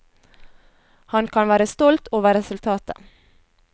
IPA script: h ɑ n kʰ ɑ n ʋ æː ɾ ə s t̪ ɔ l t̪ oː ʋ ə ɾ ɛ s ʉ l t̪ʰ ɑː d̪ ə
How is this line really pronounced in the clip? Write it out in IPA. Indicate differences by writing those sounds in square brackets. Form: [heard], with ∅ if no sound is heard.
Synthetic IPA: h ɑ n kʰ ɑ n ʋ æː ɾ ə s t̪ ɔ l t̪ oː ʋ ə ɾ ɛ s ʉ l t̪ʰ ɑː [t̪] ə

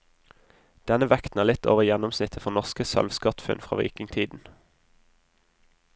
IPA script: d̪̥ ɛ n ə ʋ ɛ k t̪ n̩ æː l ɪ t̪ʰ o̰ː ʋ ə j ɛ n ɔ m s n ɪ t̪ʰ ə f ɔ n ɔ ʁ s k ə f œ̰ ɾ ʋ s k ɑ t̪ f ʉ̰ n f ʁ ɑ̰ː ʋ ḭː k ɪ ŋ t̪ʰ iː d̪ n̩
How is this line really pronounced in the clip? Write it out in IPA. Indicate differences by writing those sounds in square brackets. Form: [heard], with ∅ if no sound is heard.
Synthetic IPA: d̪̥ ɛ n ə ʋ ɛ k t̪ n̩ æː l ɪ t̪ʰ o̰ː ʋ ə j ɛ n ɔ m s n ɪ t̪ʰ ə f ɔ n ɔ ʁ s k ə [s] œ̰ [l] ʋ s k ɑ t̪ f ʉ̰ n f ʁ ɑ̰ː ʋ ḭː k ɪ ŋ t̪ʰ iː d̪ n̩

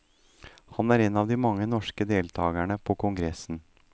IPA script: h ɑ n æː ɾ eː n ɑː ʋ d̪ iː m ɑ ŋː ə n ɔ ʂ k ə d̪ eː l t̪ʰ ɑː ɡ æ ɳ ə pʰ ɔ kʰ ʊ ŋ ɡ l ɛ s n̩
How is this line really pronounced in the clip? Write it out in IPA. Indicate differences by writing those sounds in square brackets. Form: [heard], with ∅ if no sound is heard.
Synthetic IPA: h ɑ n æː ɾ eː n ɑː ʋ d̪ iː m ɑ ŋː ə n ɔ ʂ k ə d̪ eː l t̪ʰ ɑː ɡ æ ɳ ə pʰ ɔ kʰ ʊ ŋ ɡ [ɾ] ɛ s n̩

